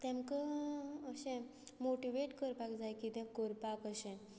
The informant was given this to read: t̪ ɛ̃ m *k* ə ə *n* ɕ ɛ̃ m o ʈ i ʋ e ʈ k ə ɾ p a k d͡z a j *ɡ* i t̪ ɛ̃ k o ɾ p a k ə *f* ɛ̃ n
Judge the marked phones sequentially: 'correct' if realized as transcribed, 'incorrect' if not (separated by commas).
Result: correct, incorrect, incorrect, incorrect